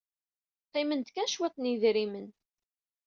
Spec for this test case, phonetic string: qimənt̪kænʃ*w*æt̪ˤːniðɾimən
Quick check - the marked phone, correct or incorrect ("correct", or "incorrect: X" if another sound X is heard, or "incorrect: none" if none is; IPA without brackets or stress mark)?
correct